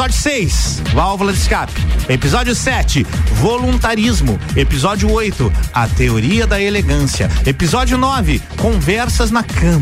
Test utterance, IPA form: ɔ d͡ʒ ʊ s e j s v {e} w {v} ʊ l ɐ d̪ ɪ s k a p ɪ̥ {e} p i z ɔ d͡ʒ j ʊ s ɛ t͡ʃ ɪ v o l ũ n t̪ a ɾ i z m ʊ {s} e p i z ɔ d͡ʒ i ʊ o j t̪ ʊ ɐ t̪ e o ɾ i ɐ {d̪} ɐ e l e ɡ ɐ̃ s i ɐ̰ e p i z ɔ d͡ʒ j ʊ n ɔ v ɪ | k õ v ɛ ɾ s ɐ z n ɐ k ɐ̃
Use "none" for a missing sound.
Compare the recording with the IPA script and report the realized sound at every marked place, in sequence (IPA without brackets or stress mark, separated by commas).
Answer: a, v, e, none, d̪